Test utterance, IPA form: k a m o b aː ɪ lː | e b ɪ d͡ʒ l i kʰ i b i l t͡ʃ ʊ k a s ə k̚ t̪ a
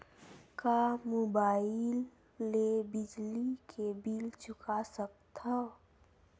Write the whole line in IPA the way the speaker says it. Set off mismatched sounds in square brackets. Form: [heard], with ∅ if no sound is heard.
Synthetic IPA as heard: k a m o b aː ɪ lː | e b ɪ d͡ʒ l i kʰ [e] b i l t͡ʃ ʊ k a s ə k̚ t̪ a

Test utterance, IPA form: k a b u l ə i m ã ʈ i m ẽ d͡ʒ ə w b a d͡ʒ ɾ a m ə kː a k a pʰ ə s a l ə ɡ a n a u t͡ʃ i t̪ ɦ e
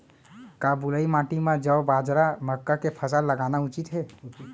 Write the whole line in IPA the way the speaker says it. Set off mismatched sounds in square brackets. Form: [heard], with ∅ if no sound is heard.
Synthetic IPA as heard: k a b u l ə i m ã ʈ i m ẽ d͡ʒ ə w b a d͡ʒ ɾ a m ə kː a k [e] pʰ ə s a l ə ɡ a n a u t͡ʃ i t̪ ɦ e

